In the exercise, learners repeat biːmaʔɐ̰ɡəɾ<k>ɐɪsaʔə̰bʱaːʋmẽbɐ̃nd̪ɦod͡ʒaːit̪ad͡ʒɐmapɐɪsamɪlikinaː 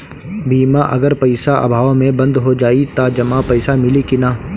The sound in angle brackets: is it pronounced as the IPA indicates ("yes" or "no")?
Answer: no